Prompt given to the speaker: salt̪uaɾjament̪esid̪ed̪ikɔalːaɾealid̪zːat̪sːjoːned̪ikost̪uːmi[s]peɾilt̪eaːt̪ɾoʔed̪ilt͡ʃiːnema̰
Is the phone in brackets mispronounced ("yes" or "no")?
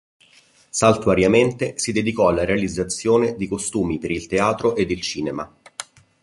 yes